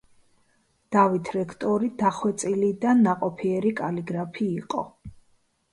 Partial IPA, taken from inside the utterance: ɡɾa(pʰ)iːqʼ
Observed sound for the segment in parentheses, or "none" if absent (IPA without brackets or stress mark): pʰ